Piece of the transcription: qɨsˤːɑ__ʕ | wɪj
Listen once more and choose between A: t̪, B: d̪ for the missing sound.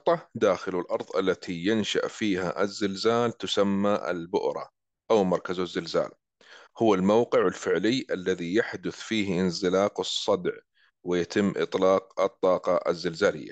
B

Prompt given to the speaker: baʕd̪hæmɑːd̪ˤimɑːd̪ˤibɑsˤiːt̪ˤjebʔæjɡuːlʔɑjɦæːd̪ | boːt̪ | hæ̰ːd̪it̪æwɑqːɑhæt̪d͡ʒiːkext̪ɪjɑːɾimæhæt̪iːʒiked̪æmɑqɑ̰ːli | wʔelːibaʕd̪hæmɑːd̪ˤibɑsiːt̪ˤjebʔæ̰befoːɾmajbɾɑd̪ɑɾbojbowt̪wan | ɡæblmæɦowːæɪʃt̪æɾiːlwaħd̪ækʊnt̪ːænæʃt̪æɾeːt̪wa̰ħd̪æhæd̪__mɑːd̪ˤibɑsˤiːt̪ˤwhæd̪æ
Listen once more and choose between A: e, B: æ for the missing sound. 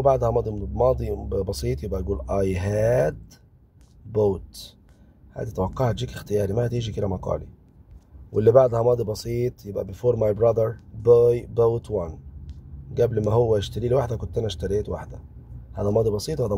B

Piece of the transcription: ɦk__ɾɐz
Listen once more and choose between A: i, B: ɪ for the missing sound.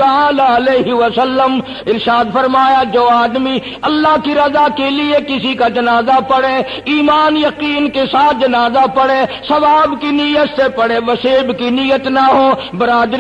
A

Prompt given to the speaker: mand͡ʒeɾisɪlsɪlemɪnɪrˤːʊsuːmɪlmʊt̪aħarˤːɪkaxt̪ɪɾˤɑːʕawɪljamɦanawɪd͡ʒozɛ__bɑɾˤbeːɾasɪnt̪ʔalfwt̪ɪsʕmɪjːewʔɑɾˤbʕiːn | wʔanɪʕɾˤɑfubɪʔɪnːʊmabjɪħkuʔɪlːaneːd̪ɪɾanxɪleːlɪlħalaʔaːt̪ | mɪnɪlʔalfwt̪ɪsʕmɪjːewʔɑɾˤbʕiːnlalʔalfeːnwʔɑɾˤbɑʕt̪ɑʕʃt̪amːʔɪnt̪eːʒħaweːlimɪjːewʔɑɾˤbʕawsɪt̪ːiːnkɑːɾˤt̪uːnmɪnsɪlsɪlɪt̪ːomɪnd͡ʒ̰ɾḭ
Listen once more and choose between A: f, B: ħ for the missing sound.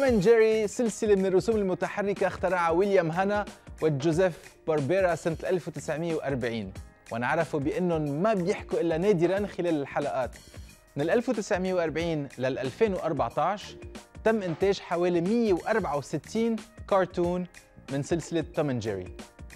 A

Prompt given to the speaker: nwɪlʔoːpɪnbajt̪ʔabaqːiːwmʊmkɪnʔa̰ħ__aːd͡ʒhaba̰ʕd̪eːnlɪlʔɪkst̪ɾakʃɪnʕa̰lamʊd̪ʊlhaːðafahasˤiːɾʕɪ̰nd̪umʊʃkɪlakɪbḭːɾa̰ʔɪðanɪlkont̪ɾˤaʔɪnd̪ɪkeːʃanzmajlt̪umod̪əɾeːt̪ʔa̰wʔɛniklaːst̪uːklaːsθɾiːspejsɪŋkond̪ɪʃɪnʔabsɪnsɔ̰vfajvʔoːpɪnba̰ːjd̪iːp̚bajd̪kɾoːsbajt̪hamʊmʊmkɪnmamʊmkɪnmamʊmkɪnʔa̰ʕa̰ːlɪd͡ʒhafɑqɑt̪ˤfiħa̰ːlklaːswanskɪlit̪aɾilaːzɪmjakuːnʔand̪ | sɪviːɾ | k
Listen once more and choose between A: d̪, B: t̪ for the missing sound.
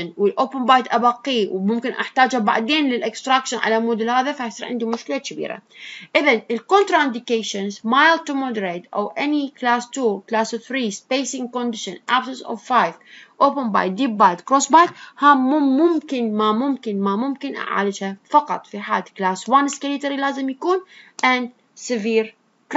B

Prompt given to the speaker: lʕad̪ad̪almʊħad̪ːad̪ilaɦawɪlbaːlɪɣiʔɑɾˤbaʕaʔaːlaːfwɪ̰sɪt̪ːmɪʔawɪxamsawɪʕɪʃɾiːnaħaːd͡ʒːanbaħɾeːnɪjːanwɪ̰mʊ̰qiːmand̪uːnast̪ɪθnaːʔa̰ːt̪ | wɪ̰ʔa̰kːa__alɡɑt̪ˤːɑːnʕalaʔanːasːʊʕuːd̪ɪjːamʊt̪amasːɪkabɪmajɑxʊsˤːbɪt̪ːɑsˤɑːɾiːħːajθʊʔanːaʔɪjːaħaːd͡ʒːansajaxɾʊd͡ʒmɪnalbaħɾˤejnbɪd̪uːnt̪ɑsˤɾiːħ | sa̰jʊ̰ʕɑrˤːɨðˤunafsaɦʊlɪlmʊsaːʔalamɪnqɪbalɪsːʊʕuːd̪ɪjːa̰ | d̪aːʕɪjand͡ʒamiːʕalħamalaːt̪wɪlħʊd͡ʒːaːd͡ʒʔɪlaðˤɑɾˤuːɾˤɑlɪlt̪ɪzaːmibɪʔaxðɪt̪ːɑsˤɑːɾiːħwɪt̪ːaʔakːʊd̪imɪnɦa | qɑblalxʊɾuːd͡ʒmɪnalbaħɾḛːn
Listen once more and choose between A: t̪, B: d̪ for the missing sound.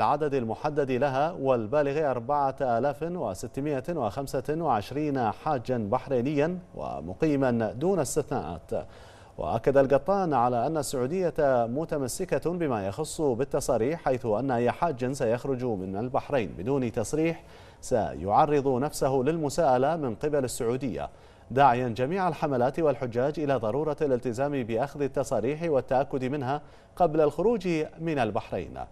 B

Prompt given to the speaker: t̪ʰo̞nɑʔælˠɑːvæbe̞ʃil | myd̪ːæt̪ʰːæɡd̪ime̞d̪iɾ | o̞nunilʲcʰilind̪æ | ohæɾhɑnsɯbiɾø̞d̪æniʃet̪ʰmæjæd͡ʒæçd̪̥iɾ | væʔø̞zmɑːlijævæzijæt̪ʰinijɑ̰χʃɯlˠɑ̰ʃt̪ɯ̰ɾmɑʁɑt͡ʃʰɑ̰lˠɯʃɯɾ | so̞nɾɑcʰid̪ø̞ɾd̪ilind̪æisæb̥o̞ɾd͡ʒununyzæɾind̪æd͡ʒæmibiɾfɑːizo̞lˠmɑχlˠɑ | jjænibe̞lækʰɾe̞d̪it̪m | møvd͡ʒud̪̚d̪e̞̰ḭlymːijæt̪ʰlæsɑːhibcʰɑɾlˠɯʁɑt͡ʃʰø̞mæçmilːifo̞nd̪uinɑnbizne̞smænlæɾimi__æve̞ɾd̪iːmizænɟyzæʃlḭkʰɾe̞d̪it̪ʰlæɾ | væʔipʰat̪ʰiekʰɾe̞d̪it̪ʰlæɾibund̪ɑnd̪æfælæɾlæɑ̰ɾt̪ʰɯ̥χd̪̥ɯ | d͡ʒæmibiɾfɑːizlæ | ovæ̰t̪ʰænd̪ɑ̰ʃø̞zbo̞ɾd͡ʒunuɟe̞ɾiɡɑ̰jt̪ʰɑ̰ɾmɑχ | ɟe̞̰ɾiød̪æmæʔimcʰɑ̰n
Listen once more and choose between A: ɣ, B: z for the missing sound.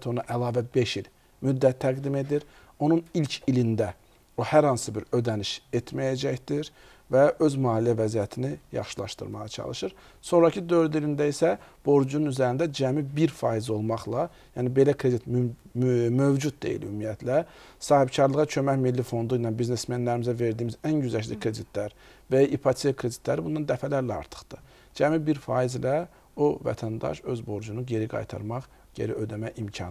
B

